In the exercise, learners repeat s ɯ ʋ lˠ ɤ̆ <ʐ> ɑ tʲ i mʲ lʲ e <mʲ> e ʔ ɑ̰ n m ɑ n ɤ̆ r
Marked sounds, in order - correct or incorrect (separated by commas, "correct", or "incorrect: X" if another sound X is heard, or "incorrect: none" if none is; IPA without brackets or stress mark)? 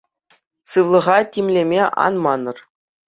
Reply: incorrect: ʁ, correct